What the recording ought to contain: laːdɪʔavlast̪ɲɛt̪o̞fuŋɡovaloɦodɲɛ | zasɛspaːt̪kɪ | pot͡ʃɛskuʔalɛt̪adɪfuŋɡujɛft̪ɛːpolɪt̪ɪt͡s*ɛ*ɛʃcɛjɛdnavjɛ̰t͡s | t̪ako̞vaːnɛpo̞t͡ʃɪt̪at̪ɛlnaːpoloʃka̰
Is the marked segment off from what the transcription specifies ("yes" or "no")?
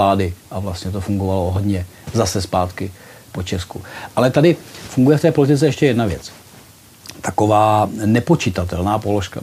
no